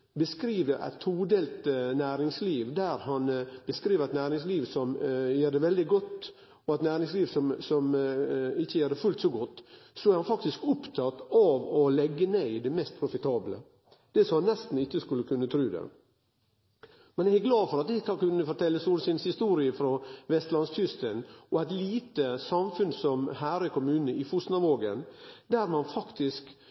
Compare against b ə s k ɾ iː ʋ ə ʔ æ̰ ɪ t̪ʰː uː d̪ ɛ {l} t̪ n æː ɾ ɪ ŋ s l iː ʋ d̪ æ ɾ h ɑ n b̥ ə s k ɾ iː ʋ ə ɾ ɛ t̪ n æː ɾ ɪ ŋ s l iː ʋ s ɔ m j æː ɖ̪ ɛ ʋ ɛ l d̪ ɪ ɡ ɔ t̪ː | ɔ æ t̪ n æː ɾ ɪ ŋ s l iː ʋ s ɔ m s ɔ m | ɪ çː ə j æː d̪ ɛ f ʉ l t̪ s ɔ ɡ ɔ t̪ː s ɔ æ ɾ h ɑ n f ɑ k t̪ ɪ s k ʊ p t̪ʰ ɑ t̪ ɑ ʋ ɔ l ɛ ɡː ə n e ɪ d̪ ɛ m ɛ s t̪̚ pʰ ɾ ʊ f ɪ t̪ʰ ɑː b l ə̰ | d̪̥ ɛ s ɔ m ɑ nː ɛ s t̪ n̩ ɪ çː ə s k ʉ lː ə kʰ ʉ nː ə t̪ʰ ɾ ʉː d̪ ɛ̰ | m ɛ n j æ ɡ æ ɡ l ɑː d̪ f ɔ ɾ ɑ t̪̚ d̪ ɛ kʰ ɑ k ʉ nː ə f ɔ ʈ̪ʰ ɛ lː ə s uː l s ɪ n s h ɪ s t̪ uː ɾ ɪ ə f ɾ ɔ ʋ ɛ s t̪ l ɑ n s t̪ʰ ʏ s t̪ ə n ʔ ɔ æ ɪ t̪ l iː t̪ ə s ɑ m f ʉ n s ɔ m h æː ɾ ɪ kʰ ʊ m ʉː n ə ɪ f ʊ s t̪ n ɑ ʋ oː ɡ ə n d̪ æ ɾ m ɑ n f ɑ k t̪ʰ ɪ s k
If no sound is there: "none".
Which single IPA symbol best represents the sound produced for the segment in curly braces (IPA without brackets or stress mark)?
l